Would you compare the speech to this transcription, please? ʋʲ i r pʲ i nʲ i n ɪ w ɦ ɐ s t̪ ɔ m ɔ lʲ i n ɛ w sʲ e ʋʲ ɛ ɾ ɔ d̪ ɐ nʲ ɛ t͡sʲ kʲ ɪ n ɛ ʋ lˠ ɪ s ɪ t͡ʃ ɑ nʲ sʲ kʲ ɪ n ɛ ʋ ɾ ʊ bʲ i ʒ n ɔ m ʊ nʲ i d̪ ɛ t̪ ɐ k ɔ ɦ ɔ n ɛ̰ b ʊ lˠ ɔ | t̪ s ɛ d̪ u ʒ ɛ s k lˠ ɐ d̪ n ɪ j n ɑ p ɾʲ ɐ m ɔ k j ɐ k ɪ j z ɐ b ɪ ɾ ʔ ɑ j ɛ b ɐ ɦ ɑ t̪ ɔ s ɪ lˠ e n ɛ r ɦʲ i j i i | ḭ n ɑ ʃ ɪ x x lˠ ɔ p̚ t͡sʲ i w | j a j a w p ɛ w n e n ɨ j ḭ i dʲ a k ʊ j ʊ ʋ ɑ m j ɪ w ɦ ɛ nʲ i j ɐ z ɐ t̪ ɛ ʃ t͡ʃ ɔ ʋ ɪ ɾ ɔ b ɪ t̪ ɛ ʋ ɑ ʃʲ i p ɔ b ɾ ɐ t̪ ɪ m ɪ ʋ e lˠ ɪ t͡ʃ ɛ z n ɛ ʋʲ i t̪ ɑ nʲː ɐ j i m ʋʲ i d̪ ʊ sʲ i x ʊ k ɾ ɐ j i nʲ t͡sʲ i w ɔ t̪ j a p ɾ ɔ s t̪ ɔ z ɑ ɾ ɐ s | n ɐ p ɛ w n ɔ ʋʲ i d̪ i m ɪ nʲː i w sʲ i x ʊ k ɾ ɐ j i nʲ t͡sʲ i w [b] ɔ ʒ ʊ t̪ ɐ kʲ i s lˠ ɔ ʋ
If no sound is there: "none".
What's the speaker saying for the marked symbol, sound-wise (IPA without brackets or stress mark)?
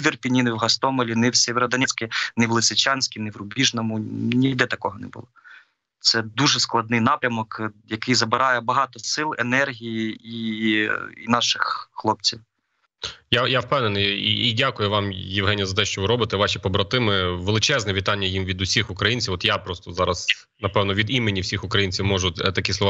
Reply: m